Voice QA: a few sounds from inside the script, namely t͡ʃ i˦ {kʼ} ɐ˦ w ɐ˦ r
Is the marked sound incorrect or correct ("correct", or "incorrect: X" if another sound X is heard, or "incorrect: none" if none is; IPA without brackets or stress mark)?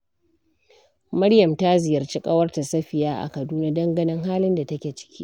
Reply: correct